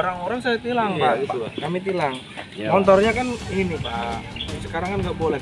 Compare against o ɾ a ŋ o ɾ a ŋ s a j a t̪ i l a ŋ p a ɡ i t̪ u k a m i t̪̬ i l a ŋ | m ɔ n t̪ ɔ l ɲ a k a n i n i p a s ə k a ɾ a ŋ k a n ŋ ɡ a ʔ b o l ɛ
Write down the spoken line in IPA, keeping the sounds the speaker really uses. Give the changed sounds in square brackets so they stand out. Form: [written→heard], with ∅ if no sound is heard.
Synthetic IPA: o ɾ a ŋ o ɾ a ŋ s a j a t̪ i l a ŋ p a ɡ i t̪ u k a m i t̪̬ i l a ŋ | m ɔ n t̪ ɔ [l→r] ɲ a k a n i n i p a s ə k a ɾ a ŋ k a n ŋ ɡ a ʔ b o l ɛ